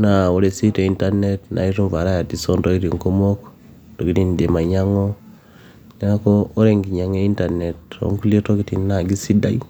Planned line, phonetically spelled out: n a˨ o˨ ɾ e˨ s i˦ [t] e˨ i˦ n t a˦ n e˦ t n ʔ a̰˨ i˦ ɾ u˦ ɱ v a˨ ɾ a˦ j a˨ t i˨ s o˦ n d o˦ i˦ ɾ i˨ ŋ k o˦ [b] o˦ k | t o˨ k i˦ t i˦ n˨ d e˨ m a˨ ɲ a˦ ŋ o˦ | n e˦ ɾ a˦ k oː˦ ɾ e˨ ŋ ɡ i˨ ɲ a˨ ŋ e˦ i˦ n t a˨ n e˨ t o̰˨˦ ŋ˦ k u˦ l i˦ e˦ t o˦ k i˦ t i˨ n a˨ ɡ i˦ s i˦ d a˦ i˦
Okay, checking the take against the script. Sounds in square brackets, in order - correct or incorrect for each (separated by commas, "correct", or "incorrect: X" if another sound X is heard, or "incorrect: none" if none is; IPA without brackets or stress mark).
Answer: correct, incorrect: m